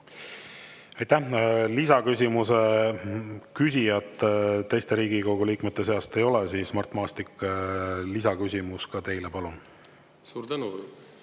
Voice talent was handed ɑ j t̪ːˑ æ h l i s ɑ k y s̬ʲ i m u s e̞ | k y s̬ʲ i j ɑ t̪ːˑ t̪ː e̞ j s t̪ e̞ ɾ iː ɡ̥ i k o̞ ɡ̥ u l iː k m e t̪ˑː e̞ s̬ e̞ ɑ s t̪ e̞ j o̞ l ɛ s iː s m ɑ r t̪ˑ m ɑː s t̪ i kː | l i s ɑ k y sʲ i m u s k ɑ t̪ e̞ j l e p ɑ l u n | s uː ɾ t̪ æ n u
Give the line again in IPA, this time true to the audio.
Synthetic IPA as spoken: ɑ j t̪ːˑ æ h l i s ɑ k y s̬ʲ i m u s e̞ | k y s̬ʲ i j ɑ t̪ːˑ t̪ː e̞ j s t̪ e̞ ɾ iː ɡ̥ i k o̞ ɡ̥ u l iː k m e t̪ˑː e̞ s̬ e̞ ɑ s t̪ e̞ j o̞ l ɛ s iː s m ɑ r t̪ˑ m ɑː s t̪ i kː | l i s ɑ k y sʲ i m u s k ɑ t̪ e̞ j l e p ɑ l u n | s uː ɾ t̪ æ n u